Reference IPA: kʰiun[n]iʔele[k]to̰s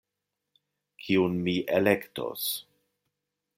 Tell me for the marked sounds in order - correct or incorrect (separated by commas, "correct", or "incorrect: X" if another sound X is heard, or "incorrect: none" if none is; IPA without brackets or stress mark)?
incorrect: m, correct